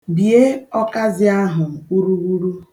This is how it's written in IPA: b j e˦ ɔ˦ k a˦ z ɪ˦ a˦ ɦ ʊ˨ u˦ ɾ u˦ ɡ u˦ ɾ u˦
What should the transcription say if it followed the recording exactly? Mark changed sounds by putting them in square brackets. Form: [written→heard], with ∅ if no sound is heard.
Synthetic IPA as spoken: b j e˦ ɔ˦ k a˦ z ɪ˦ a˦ ɦ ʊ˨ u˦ ɾ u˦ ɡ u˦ ɾ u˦